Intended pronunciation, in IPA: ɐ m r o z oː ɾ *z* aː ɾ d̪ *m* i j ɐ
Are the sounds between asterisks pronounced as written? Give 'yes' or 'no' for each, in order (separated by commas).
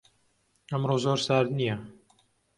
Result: no, no